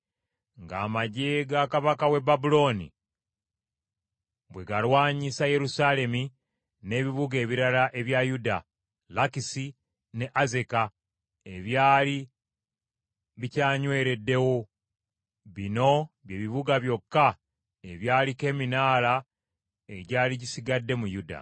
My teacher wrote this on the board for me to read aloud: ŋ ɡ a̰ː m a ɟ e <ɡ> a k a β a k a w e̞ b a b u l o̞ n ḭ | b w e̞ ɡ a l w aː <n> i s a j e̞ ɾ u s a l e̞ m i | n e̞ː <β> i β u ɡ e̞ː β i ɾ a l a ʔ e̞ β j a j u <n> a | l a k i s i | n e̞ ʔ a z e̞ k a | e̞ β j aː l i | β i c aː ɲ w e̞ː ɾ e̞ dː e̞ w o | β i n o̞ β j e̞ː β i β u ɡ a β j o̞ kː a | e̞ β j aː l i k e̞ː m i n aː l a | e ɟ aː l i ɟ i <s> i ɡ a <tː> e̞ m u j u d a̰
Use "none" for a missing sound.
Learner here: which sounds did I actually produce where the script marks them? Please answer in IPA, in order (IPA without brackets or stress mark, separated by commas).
ɡ, ɲ, β, d, s, dː